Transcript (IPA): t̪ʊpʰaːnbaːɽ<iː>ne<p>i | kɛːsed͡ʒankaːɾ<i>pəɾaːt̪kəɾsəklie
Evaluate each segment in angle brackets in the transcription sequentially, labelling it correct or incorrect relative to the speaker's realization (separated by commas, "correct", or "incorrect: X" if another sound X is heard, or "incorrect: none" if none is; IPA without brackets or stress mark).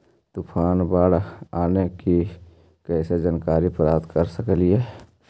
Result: incorrect: aː, incorrect: k, correct